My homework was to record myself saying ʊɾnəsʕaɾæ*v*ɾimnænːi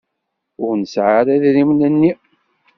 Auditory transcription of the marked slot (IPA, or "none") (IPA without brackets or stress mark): ð